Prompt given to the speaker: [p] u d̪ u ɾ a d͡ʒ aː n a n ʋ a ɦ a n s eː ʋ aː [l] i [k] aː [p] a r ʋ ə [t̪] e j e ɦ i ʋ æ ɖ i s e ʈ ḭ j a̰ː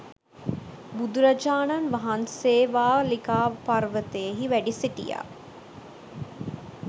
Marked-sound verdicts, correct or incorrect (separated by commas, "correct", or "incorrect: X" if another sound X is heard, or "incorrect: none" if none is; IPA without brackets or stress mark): incorrect: b, correct, correct, correct, correct